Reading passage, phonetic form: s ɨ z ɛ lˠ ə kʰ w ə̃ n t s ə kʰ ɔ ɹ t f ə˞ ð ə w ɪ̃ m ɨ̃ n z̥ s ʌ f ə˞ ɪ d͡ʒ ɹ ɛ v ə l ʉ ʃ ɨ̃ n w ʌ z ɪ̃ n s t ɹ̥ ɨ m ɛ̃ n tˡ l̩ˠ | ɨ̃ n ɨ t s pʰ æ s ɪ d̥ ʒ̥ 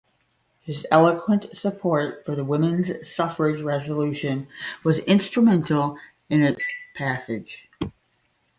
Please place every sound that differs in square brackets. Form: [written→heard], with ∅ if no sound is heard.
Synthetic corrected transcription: [s→h] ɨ z ɛ lˠ ə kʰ w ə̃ n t s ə [kʰ→pʰ] ɔ ɹ t f ə˞ ð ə w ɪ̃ m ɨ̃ n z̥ s ʌ f ə˞ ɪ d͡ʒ ɹ ɛ [v→z] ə l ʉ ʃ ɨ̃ n w ʌ z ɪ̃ n s t ɹ̥ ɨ m ɛ̃ n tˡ l̩ˠ | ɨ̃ n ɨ t s pʰ æ s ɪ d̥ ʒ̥

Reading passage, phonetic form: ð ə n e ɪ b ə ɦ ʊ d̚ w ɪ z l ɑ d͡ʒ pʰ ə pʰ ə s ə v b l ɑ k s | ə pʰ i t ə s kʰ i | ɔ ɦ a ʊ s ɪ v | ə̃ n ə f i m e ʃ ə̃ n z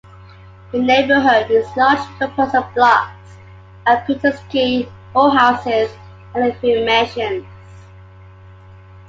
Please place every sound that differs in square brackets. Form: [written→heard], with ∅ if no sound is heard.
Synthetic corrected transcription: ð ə n e ɪ b ə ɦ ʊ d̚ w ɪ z l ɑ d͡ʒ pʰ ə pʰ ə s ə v b l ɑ k s | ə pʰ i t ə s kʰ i | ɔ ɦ a ʊ s ɪ [v→z] | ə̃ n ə f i m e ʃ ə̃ n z

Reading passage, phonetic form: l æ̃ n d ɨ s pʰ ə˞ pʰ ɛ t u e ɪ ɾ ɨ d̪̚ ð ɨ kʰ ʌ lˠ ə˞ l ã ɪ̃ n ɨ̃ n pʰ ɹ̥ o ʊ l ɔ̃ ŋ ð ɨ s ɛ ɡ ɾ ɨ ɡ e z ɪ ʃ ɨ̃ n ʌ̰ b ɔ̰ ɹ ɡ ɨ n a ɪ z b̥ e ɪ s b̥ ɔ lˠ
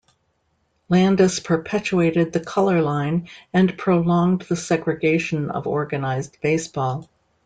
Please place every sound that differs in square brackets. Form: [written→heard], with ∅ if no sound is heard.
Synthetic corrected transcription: l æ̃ n d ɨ s pʰ ə˞ pʰ ɛ [t→t͡ʃ] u e ɪ ɾ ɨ d̪̚ ð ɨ kʰ ʌ lˠ ə˞ l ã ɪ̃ n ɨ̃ n pʰ ɹ̥ o ʊ l ɔ̃ ŋ ð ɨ s ɛ ɡ [ɾ→ɹ] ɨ ɡ e [z→∅] ɪ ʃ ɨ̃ n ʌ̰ [b→v] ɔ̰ ɹ ɡ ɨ n a ɪ z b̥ e ɪ s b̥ ɔ lˠ

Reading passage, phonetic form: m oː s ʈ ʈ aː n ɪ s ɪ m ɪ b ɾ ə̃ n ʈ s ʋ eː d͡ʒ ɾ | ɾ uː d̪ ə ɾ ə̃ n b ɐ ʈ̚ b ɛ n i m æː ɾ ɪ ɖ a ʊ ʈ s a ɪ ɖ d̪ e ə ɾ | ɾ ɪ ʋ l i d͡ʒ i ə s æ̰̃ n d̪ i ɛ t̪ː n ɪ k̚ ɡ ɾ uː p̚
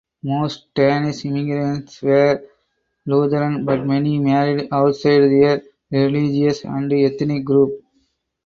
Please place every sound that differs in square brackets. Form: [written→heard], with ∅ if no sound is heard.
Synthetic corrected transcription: m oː s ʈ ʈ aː n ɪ s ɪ m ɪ [b→ɡ] ɾ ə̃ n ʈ s ʋ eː [d͡ʒ→∅] ɾ | [ɾ→l] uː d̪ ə ɾ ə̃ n b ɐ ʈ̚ [b→m] ɛ n i m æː ɾ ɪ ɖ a ʊ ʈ s a ɪ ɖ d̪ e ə ɾ | ɾ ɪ [ʋ→∅] l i d͡ʒ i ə s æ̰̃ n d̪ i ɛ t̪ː n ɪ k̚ ɡ ɾ uː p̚

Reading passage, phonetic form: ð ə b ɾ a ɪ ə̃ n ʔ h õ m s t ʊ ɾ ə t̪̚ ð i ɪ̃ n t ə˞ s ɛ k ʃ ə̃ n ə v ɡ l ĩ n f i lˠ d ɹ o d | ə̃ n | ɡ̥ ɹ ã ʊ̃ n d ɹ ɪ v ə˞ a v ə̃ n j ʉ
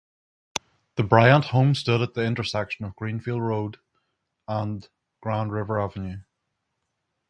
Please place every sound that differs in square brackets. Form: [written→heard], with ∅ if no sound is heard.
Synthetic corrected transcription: ð ə b [ɾ→ɹ] a ɪ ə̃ n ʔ h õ m s t ʊ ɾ ə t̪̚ ð i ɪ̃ n t ə˞ s ɛ k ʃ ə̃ n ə v ɡ [l→ɹ] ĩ n f i lˠ d ɹ o d | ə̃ n | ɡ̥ ɹ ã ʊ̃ n d ɹ ɪ v ə˞ a v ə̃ n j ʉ

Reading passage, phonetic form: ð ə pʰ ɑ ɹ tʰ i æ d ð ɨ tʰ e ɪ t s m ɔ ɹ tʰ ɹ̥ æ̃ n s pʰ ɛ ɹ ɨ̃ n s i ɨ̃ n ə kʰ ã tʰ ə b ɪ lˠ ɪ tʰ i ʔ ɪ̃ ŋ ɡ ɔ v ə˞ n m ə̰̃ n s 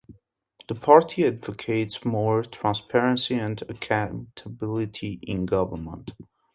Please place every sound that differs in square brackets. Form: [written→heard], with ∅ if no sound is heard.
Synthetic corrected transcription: ð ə pʰ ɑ ɹ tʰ i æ d [ð→v] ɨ [tʰ→kʰ] e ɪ t s m ɔ ɹ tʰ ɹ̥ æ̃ n s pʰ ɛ ɹ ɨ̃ n s i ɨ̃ n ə kʰ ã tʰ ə b ɪ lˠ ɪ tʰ i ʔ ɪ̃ [ŋ→n] ɡ [ɔ→ʌ] v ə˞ [n→∅] m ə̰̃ n [s→t]

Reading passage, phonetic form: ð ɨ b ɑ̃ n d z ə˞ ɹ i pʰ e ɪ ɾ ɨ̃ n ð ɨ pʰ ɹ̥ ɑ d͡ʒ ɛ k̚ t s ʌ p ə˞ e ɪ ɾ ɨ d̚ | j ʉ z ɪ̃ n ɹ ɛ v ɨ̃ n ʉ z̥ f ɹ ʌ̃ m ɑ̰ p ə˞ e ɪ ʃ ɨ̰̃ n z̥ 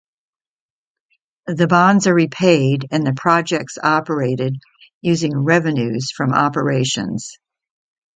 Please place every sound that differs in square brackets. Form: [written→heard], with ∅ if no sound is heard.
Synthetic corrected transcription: ð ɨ b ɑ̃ n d z ə˞ ɹ i pʰ e ɪ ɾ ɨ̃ n ð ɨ pʰ ɹ̥ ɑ d͡ʒ ɛ k̚ t s [ʌ→ɑ] p ə˞ e ɪ ɾ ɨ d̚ | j ʉ z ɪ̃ [n→ŋ] ɹ ɛ v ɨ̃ n ʉ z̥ f ɹ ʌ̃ m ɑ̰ p ə˞ e ɪ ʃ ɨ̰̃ n z̥

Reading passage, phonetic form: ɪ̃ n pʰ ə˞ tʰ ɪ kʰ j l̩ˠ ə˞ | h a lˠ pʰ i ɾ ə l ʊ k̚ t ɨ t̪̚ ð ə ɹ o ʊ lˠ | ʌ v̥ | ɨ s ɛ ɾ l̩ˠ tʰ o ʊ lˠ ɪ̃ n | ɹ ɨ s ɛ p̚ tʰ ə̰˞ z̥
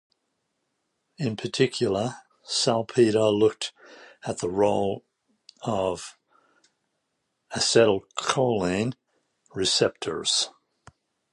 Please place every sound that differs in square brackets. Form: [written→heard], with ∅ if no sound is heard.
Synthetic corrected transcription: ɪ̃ n pʰ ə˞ tʰ ɪ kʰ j l̩ˠ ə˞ | [h→s] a lˠ pʰ i ɾ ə l ʊ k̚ t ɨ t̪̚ ð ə ɹ o ʊ lˠ | ʌ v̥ | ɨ s ɛ ɾ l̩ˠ [tʰ→kʰ] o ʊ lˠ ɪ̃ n | ɹ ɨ s ɛ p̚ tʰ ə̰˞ z̥

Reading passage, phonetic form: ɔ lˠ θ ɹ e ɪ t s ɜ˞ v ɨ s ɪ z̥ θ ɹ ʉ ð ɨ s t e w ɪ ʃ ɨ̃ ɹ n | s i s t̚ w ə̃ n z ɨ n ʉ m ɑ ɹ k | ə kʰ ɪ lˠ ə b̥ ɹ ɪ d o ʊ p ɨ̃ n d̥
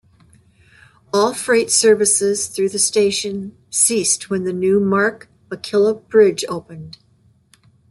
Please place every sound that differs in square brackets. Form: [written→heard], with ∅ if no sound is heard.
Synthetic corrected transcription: ɔ lˠ [θ→f] ɹ e ɪ t s ɜ˞ v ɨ s ɪ z̥ θ ɹ ʉ ð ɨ s t e [w→∅] ɪ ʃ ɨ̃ [ɹ→∅] n | s i s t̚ w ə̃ n [z→ð] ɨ n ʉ m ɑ ɹ k | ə kʰ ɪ lˠ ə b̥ ɹ ɪ [d→d͡ʒ] o ʊ p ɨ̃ n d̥

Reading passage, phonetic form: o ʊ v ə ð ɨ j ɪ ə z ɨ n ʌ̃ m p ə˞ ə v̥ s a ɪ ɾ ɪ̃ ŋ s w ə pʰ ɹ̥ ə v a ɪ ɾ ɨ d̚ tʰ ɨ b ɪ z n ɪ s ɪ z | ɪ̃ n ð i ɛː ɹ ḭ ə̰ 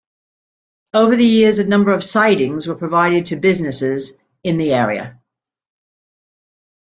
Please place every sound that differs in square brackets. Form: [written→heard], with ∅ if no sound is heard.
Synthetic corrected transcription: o ʊ v ə ð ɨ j ɪ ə z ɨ n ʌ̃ m [p→b] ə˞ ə v̥ s a ɪ ɾ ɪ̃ ŋ [s→z] w ə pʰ ɹ̥ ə v a ɪ ɾ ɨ d̚ tʰ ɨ b ɪ z n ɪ s ɪ z | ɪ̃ n ð i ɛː ɹ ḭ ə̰

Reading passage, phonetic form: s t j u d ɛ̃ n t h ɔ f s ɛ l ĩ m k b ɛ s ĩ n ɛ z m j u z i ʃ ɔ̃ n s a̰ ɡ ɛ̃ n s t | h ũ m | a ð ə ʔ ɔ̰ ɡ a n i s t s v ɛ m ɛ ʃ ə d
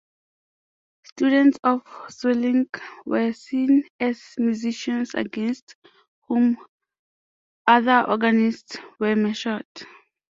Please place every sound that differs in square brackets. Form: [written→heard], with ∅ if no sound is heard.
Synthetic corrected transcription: s t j u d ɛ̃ n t [h→s] ɔ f s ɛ l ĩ [m→ŋ] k [b→w] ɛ s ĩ n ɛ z m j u z i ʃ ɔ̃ n s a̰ ɡ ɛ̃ n s t | h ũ m | a ð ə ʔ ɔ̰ ɡ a n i s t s [v→w] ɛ m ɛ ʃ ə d

